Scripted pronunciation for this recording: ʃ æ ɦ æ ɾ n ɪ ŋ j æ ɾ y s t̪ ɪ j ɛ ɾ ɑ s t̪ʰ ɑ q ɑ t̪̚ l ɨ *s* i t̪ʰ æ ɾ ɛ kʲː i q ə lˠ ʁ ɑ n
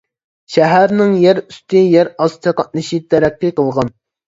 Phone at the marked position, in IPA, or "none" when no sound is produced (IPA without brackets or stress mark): ʃ